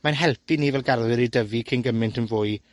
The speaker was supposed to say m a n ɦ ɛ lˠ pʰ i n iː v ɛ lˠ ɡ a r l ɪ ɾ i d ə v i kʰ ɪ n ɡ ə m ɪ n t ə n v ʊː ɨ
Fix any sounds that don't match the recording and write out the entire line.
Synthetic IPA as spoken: m a n ɦ ɛ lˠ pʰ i n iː v ɛ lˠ ɡ a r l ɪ ɾ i d ə v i kʰ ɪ n ɡ ə m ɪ n t ə n v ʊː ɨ